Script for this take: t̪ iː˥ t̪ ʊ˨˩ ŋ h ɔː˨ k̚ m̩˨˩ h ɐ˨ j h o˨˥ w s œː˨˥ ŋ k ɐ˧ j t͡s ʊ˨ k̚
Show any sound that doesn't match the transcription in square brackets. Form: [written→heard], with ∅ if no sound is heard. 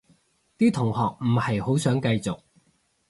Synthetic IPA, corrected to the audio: t̪ iː˥ [t̪→t̪ʰ] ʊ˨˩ ŋ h ɔː˨ k̚ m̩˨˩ h ɐ˨ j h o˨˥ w s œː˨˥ ŋ k ɐ˧ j t͡s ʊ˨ k̚